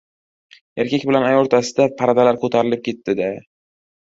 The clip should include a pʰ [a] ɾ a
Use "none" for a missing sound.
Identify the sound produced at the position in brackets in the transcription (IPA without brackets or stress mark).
a